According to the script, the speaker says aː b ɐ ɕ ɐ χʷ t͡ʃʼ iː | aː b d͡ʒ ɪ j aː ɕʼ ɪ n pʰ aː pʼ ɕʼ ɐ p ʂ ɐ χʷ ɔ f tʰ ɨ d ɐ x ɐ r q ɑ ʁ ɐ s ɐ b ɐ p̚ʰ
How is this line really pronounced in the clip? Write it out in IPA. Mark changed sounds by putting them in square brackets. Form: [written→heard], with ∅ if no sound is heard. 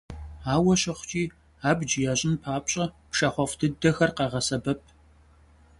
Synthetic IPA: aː [b→w] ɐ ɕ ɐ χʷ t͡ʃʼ iː | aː b d͡ʒ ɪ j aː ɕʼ ɪ n pʰ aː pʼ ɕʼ ɐ p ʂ ɐ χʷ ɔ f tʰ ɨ d ɐ x ɐ r q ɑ ʁ ɐ s ɐ b ɐ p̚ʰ